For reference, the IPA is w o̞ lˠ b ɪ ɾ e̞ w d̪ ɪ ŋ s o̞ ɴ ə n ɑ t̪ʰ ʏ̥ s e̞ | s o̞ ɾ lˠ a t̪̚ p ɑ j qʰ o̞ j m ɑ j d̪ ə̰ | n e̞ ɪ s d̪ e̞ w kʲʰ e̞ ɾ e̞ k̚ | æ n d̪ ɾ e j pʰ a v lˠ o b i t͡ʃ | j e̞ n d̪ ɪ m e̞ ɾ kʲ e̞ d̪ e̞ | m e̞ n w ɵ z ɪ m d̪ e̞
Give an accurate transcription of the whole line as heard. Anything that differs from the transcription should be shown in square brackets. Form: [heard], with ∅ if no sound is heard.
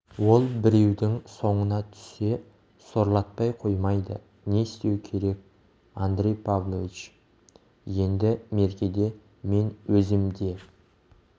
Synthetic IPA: w o̞ lˠ b ɪ ɾ e̞ w d̪ ɪ ŋ s o̞ ɴ ə n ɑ t̪ʰ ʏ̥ s e̞ | s o̞ ɾ lˠ [ɑ] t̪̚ p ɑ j qʰ o̞ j m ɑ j d̪ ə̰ | n e̞ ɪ s [t̪] e̞ w kʲʰ e̞ ɾ e̞ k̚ | [a] n d̪ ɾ e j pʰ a v lˠ o [v] i t͡ʃ | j e̞ n d̪ ɪ m e̞ ɾ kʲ e̞ d̪ e̞ | m e̞ n w ɵ z ɪ m d̪ e̞

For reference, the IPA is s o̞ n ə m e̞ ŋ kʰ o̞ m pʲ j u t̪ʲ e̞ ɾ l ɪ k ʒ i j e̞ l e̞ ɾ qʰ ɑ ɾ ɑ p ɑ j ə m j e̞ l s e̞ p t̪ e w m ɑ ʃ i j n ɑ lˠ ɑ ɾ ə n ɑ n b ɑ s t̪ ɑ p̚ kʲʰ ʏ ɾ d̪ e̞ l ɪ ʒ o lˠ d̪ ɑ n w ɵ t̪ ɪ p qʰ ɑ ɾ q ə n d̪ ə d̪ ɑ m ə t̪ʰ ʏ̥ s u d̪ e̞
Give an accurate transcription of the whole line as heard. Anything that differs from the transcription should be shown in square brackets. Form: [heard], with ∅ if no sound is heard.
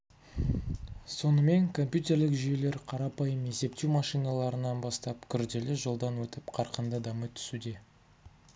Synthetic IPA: s o̞ n ə m e̞ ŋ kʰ o̞ m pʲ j u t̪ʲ e̞ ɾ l ɪ k ʒ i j e̞ l e̞ ɾ qʰ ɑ ɾ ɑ p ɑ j ə m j e̞ [∅] s e̞ p t̪ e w m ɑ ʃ i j n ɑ lˠ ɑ ɾ ə n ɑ n b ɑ s t̪ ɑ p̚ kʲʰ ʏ ɾ d̪ e̞ l ɪ ʒ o lˠ d̪ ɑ n w ɵ t̪ ɪ p qʰ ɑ ɾ q ə n d̪ ə d̪ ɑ m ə t̪ʰ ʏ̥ s u d̪ e̞

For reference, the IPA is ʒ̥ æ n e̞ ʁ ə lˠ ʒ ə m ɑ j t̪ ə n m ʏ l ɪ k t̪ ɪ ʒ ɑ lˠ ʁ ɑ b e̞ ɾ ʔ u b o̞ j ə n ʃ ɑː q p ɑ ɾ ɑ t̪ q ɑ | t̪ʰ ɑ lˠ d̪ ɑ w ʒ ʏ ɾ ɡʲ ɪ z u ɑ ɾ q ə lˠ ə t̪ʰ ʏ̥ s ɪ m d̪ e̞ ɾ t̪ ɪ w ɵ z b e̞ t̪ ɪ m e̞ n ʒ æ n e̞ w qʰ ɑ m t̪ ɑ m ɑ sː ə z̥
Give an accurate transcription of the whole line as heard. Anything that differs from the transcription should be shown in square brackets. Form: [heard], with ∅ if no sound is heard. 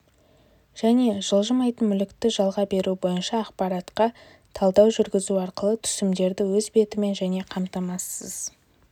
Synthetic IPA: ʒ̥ æ n e̞ [ʒ] ə lˠ ʒ ə m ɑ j t̪ ə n m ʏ l ɪ k t̪ ɪ ʒ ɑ lˠ ʁ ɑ b e̞ ɾ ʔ u b o̞ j ə n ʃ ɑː q p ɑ ɾ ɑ t̪ q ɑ | t̪ʰ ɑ lˠ d̪ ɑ w ʒ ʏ ɾ ɡʲ ɪ z u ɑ ɾ q ə lˠ ə t̪ʰ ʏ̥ s ɪ m d̪ e̞ ɾ [d̪] ɪ w ɵ z b e̞ t̪ ɪ m e̞ n ʒ æ n e̞ [∅] qʰ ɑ m t̪ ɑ m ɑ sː ə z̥

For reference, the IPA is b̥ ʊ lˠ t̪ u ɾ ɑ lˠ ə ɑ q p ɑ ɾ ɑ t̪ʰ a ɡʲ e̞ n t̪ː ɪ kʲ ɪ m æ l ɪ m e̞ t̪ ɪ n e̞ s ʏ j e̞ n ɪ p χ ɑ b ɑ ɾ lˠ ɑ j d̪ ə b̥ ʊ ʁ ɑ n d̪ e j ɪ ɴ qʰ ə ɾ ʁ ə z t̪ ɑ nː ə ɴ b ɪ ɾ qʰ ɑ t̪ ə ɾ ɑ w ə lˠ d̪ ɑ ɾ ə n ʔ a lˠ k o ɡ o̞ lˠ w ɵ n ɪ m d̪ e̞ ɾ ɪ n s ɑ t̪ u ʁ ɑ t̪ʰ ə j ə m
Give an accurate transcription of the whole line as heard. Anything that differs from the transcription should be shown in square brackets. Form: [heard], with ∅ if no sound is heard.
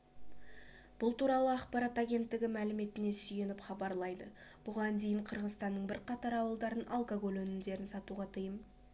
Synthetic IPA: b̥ ʊ lˠ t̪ u ɾ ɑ lˠ ə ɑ q p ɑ ɾ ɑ [t̪] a ɡʲ e̞ n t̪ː ɪ [ɡʲ] ɪ m æ l ɪ m e̞ t̪ ɪ n e̞ s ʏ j e̞ n ɪ p χ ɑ b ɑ ɾ lˠ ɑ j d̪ ə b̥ ʊ ʁ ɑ n d̪ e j ɪ ɴ qʰ ə ɾ ʁ ə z t̪ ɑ nː ə ɴ b ɪ ɾ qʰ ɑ t̪ [ɑ] ɾ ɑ w ə lˠ d̪ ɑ ɾ ə n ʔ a lˠ k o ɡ o̞ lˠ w ɵ n ɪ m d̪ e̞ ɾ ɪ n s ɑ t̪ u ʁ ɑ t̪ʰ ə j ə m

